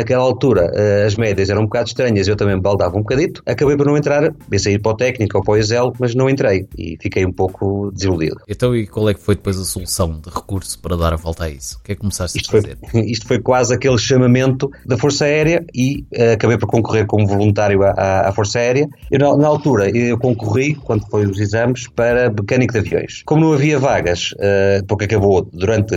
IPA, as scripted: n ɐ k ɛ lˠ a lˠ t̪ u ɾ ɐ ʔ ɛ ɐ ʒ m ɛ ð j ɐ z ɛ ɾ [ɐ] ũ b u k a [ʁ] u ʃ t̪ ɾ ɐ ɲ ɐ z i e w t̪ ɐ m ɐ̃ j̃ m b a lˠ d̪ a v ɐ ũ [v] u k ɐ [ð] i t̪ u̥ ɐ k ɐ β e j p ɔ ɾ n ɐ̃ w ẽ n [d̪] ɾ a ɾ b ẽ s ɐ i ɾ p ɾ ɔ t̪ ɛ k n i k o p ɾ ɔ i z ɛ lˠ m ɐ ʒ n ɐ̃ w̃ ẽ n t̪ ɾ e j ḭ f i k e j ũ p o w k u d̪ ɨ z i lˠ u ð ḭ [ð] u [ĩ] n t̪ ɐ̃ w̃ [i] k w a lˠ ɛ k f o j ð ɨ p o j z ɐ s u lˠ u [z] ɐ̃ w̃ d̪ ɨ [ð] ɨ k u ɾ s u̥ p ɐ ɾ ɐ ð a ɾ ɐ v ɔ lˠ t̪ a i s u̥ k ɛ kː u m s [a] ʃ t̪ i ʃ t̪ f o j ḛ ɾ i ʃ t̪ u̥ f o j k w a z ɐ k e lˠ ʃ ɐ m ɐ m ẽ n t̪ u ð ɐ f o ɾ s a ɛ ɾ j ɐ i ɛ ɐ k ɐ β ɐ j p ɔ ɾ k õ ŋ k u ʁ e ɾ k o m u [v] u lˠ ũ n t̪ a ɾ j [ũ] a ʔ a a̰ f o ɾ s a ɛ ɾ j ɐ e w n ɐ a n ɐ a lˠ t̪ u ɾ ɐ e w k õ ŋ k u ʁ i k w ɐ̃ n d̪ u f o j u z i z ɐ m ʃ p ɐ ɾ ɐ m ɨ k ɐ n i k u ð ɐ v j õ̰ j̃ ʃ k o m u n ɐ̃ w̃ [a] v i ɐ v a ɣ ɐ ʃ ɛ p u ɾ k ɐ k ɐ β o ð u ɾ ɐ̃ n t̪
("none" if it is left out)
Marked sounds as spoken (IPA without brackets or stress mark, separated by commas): ɐ̃, ð, b, ð, t̪, ð, ẽ, i, s, ʁ, a, v, u, ɐ